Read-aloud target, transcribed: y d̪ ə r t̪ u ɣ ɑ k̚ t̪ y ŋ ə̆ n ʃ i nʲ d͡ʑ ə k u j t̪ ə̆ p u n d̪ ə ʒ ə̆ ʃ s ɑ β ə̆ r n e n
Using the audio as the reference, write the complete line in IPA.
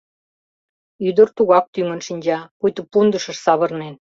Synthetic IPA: y d̪ ə r t̪ u ɣ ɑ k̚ t̪ y ŋ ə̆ n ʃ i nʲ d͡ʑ ɑ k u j t̪ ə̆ p u n d̪ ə ʃ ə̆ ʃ s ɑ β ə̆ r n e n